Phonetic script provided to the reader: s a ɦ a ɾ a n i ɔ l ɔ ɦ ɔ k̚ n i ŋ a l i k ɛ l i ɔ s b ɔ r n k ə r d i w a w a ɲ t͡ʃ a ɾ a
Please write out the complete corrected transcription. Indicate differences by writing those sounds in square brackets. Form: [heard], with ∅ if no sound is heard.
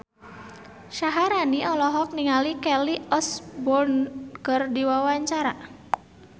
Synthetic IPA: [ʃ] a ɦ a ɾ a n i ɔ l ɔ ɦ ɔ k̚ n i ŋ a l i k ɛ l i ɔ s b ɔ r n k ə r d i w a w a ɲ t͡ʃ a ɾ a